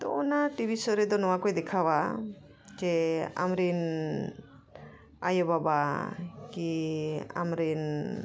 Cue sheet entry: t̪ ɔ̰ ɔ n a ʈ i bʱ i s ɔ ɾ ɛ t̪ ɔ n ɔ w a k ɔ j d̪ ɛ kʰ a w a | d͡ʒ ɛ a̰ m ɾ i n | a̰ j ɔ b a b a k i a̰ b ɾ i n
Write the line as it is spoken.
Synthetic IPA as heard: t̪ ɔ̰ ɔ n a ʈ i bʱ i s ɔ ɾ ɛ d̪ ɔ n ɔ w a k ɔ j d̪ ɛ kʰ a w a | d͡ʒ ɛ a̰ m ɾ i n | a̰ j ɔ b a b a k i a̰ m ɾ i n